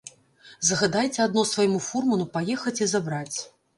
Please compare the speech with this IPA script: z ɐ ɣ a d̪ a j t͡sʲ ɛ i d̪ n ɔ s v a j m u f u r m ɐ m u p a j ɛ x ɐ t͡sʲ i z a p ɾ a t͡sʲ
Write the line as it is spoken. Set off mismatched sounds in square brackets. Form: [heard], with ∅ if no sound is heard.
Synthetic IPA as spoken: z ɐ ɣ a d̪ a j t͡sʲ ɛ [a] d̪ n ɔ s v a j m u f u r m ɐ [n] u p a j ɛ x ɐ t͡sʲ i z a [b] ɾ a t͡sʲ